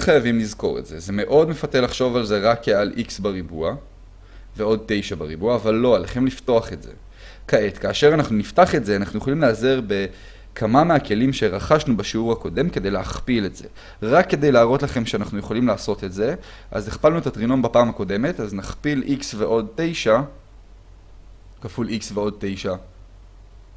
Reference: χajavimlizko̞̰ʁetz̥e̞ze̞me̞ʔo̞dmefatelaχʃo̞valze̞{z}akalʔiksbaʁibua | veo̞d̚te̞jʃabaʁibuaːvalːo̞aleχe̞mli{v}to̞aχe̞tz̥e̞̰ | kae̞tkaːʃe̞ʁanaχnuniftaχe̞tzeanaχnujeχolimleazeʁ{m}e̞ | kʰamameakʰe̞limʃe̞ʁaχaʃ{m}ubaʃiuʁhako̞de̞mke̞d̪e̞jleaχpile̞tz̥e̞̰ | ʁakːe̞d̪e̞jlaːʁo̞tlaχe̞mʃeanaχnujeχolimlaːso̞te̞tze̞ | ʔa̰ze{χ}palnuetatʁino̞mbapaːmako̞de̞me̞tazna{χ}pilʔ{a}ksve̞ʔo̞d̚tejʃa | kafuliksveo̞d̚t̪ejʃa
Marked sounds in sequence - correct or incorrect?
incorrect: ʁ, incorrect: f, incorrect: b, incorrect: n, correct, correct, incorrect: i

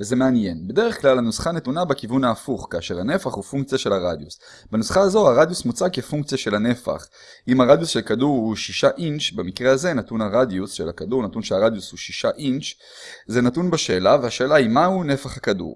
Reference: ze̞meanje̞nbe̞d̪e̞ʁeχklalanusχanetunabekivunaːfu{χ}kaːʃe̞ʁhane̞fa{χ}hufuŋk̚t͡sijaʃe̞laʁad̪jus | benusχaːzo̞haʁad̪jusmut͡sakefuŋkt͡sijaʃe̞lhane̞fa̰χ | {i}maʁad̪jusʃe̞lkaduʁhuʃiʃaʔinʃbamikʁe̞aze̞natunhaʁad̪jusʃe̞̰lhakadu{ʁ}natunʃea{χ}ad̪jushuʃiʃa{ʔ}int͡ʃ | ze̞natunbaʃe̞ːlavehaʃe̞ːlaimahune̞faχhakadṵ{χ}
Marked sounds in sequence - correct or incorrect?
correct, correct, correct, correct, incorrect: ʁ, correct, incorrect: ʁ

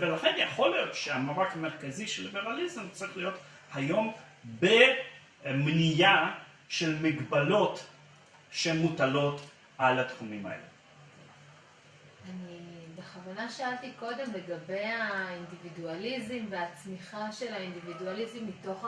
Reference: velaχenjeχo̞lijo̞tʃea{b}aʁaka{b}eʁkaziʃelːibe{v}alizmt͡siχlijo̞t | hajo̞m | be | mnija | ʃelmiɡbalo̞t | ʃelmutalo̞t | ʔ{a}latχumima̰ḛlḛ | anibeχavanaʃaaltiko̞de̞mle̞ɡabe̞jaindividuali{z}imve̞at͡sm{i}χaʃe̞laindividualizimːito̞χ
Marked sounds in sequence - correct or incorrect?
incorrect: m, incorrect: m, incorrect: ʁ, correct, correct, correct

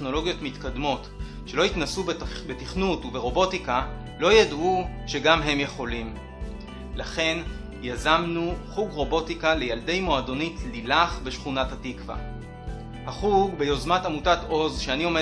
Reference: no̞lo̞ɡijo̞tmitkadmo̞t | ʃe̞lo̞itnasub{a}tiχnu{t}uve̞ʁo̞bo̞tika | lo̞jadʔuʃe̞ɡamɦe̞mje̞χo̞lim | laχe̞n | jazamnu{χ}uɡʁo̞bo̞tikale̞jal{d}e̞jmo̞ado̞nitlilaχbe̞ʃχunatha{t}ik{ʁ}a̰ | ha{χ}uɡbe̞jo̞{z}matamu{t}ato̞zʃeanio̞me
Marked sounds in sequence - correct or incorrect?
incorrect: e, correct, correct, correct, correct, incorrect: v, correct, correct, correct

